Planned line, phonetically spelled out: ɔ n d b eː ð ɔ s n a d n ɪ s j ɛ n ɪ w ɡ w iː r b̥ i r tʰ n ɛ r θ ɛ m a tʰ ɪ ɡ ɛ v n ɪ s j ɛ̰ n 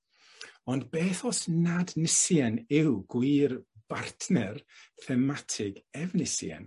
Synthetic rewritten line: ɔ n d b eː θ ɔ s n a d n ɪ s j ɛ n ɪ w ɡ w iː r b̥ a r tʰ n ɛ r θ ɛ m a tʰ ɪ ɡ ɛ v n ɪ s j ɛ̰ n